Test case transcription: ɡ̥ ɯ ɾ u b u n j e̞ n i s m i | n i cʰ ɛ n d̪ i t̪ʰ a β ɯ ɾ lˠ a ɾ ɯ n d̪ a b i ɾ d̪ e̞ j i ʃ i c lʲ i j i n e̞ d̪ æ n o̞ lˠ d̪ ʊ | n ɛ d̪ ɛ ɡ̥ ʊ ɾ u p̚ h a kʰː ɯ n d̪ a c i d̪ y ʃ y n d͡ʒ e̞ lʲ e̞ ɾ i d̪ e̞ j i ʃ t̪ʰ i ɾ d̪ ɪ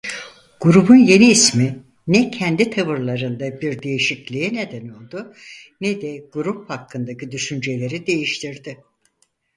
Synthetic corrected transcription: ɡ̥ u ɾ u b u n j e̞ n iː s m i | n ɛ cʰ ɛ n d̪ i t̪ʰ a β ɯ ɾ lˠ a ɾ ɯ n d̪ a b i ɾ d̪ e̞ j i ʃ i c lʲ i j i n e̞ d̪ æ n o̞ lˠ d̪ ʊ | n ɛ d̪ ɛ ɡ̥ u ɾ u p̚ h a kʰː ɯ n d̪ a c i d̪ y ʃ y n d͡ʒ e̞ lʲ e̞ ɾ i d̪ e̞ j i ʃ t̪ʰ i ɾ d̪ ɪ